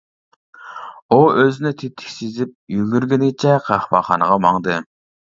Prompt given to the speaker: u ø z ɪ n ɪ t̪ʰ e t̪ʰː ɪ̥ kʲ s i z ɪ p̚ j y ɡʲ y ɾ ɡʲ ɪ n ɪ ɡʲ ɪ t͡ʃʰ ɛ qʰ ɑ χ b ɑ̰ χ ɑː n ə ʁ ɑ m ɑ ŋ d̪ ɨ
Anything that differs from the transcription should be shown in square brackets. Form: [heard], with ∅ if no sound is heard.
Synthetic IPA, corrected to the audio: u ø z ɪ n ɪ t̪ʰ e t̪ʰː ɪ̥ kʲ s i z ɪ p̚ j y ɡʲ y ɾ ɡʲ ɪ n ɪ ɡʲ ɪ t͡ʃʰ ɛ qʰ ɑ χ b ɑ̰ χ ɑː n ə ʁ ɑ m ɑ ŋ d̪ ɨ